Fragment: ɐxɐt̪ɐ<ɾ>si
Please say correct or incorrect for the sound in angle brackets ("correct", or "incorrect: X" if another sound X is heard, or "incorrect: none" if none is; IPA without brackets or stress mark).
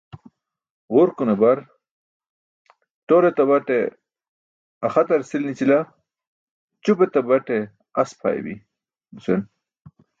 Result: correct